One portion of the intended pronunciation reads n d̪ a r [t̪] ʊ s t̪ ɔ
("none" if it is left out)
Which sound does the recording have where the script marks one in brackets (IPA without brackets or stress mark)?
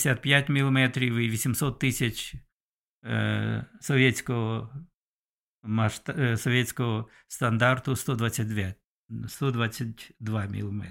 t̪